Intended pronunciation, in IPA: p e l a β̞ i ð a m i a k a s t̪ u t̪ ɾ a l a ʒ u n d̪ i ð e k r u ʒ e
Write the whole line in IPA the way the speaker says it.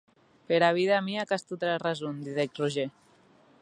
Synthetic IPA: p e ɾ a β̞ i ð a m i a k a s t̪ u t̪ ɾ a r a z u n d̪ i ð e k r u ʒ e